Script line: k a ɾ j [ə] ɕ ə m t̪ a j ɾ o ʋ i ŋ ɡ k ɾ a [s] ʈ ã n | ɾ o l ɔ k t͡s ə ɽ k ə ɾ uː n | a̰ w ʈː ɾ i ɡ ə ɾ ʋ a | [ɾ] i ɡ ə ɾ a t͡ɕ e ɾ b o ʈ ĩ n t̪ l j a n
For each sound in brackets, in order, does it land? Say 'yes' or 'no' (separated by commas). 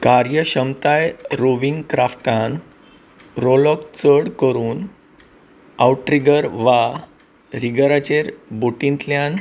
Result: yes, no, yes